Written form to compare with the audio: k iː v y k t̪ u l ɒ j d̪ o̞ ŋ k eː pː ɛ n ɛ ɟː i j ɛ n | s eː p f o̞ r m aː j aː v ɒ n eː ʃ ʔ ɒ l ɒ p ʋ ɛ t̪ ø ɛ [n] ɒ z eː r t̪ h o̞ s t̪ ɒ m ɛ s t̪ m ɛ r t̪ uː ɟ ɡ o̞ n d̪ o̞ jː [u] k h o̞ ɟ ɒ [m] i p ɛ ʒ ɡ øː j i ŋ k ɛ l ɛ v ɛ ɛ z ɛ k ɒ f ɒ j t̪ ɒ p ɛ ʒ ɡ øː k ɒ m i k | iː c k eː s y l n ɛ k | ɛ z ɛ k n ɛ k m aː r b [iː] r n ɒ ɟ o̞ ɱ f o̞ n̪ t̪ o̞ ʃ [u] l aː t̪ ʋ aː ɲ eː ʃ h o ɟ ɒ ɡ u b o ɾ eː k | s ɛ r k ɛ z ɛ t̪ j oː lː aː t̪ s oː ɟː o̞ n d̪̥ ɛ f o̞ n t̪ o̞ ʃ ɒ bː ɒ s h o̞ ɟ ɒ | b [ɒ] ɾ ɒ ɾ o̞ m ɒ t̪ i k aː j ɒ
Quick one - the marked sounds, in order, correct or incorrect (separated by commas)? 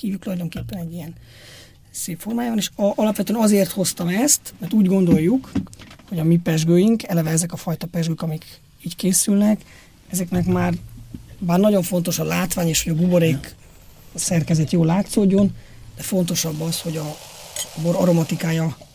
correct, correct, correct, incorrect, incorrect, incorrect